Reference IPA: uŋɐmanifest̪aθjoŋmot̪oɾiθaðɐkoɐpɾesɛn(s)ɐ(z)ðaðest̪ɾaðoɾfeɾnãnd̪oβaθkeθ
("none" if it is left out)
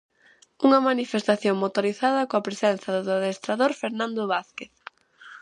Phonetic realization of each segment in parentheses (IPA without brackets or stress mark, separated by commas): θ, ð